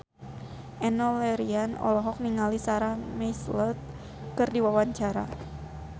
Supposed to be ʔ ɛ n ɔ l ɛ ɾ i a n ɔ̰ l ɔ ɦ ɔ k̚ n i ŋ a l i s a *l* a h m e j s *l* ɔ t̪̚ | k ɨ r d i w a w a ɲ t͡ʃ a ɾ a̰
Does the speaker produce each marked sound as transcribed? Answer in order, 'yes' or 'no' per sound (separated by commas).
no, yes